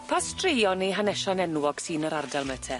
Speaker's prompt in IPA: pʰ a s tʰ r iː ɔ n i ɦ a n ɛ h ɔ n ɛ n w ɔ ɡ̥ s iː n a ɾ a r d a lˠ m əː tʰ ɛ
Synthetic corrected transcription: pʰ a s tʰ r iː ɔ n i ɦ a n ɛ ʃ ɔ n ɛ n w ɔ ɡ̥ s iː n ə ɾ a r d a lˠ m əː tʰ ɛ